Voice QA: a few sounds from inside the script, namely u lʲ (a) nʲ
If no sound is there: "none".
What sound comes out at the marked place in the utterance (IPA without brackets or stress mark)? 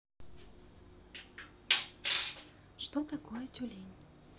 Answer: e